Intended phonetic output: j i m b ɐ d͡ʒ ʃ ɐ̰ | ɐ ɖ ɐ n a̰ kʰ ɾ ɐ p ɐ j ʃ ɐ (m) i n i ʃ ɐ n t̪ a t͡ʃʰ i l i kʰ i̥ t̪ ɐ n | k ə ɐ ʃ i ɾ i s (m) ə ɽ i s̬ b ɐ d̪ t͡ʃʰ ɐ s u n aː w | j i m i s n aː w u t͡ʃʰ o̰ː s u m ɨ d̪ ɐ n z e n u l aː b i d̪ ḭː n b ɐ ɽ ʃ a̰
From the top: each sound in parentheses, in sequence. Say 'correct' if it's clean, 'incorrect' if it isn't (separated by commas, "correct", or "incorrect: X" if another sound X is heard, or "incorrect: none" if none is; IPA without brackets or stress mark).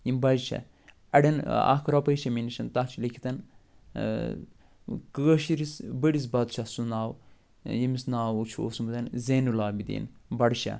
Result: correct, incorrect: b